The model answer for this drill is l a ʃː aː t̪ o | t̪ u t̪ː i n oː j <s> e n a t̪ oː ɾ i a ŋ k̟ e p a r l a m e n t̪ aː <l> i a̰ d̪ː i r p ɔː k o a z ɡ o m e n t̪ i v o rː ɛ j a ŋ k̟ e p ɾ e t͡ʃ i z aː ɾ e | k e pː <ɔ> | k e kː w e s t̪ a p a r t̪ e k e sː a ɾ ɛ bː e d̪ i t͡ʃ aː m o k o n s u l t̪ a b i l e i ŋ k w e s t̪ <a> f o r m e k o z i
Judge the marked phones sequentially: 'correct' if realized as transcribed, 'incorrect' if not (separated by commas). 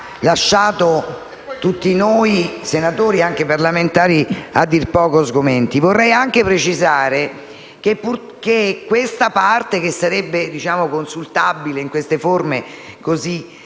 correct, incorrect, incorrect, incorrect